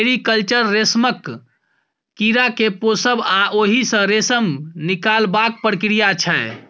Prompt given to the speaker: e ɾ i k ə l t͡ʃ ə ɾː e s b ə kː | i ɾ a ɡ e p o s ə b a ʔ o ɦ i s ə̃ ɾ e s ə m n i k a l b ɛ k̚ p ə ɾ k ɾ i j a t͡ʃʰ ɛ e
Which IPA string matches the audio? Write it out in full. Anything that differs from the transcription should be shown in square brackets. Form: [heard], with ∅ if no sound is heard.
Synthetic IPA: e ɾ i k ə l t͡ʃ ə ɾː e s [m] ə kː | i ɾ a [k] e p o s ə b a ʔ o ɦ i s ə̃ ɾ e s ə m n i k a l b [a] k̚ p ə ɾ k ɾ i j a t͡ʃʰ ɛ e